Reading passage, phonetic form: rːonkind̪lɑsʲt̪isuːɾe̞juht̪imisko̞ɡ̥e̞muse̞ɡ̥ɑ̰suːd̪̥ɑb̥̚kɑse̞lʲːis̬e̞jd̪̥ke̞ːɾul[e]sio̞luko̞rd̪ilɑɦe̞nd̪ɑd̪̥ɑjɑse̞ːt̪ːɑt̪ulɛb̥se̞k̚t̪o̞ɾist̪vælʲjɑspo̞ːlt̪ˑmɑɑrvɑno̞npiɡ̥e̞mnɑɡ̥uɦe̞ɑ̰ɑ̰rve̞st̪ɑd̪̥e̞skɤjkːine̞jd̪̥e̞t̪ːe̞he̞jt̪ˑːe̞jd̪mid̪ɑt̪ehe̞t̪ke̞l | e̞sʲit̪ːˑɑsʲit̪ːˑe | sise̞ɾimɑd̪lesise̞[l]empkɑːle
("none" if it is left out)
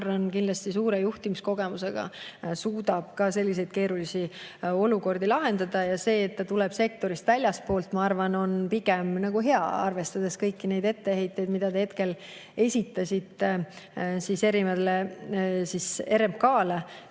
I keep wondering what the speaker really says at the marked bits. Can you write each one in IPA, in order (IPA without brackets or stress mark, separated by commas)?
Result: i, ɾ